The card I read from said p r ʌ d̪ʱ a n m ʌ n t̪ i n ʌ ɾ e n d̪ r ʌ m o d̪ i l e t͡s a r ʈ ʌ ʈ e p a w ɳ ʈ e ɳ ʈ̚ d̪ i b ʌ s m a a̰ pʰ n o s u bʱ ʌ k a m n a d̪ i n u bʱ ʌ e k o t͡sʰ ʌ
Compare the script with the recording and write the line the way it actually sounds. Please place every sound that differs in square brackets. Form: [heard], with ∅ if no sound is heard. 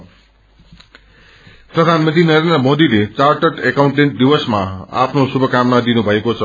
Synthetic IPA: p r ʌ d̪ʱ a n m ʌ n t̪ i n ʌ ɾ e n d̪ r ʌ m o d̪ i l e t͡s a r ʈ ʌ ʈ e [k] a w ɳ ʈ e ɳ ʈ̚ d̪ i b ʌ s m a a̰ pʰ n o s u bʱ ʌ k a m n a d̪ i n u bʱ ʌ e k o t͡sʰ ʌ